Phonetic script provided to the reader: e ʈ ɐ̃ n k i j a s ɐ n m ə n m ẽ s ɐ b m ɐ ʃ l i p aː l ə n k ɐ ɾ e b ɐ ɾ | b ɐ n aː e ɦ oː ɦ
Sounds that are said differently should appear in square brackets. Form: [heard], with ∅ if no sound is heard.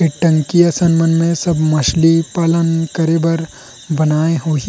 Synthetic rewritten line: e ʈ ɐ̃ [ŋ] k i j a s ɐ n m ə n m ẽ s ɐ b m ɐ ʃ l i p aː l ə n k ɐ ɾ e b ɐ ɾ | b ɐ n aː e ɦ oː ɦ